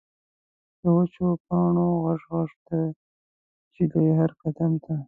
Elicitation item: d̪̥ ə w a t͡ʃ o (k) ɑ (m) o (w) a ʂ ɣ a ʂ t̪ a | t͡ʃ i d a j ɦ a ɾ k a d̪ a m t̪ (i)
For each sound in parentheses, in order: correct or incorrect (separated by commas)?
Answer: incorrect, incorrect, incorrect, incorrect